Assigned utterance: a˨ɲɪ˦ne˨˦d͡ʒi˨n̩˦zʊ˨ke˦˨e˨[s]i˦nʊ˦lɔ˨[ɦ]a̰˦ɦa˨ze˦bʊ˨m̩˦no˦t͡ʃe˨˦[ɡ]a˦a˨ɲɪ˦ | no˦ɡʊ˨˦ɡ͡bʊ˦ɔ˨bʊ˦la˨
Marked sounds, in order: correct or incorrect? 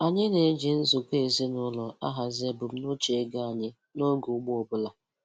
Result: incorrect: z, incorrect: none, correct

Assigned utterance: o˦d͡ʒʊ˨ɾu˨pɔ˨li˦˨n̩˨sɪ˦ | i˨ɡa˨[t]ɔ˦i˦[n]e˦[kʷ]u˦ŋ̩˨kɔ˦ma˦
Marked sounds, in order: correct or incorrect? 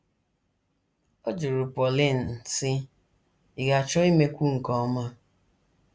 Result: incorrect: t͡ʃ, incorrect: m, correct

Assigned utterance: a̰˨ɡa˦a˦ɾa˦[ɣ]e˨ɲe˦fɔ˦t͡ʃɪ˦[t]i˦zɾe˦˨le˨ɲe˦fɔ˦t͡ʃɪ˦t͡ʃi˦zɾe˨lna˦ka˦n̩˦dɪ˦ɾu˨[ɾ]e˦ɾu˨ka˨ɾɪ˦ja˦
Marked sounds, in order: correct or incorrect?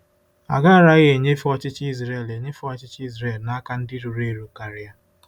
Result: correct, incorrect: t͡ʃ, correct

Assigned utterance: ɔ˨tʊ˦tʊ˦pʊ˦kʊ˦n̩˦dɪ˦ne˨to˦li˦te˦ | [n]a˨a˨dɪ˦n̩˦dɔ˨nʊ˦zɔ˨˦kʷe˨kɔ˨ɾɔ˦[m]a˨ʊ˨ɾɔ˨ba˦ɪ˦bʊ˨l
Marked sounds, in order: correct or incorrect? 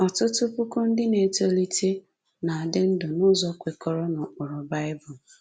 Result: correct, incorrect: n

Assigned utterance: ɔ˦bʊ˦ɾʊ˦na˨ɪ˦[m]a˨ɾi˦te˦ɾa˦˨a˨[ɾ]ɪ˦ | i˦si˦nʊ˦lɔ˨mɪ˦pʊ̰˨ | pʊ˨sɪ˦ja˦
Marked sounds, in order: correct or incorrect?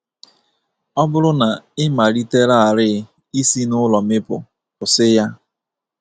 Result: correct, correct

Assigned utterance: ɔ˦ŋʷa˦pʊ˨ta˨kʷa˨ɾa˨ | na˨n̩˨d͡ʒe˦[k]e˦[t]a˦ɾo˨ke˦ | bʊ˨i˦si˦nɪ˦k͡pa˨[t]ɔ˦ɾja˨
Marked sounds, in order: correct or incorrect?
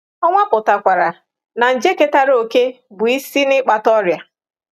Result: correct, correct, correct

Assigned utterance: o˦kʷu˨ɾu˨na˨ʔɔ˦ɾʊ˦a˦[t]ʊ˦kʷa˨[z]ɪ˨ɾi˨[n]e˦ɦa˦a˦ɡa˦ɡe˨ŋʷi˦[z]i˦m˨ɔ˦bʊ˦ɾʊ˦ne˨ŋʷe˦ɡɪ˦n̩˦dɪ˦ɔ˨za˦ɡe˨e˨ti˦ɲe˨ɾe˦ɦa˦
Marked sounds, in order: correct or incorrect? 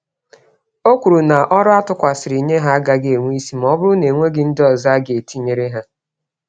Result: correct, incorrect: s, incorrect: ɲ, incorrect: s

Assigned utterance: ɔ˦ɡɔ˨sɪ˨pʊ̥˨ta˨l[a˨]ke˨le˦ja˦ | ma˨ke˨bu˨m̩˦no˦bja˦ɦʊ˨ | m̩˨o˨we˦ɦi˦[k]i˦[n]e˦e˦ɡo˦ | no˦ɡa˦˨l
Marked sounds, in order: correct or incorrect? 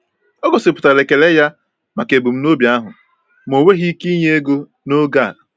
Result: incorrect: e˨, correct, incorrect: ɲ

